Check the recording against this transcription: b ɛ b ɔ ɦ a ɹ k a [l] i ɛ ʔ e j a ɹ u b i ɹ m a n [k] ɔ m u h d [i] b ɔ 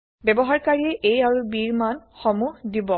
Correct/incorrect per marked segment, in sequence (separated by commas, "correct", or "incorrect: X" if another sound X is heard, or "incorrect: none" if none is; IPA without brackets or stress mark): incorrect: ɹ, incorrect: x, correct